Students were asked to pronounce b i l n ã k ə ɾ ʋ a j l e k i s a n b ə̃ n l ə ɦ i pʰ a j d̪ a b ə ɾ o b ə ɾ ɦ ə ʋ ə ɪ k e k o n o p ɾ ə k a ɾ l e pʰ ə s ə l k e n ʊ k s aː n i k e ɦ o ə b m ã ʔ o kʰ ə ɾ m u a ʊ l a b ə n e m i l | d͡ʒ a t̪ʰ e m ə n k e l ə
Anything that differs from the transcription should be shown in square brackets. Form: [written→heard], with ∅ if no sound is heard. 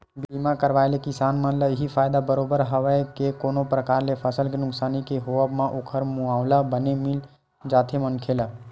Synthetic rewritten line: b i l [n→m] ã k ə ɾ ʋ a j l e k i s a n [b→m] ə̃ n l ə ɦ i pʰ a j d̪ a b ə ɾ o b ə ɾ ɦ ə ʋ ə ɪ k e k o n o p ɾ ə k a ɾ l e pʰ ə s ə l k e n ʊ k s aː n i k e ɦ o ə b m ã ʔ o kʰ ə ɾ m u a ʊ l a b ə n e m i l | d͡ʒ a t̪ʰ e m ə n [k→kʰ] e l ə